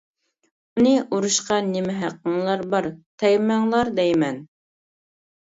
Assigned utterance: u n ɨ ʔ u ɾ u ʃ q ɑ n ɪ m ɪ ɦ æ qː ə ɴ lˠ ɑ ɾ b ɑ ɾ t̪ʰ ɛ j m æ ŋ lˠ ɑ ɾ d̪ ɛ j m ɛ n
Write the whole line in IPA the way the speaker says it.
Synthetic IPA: u n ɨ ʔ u ɾ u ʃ q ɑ n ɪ m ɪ ɦ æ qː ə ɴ lˠ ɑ ɾ b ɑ ɾ t̪ʰ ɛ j m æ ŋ lˠ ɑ ɾ d̪ ɛ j m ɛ n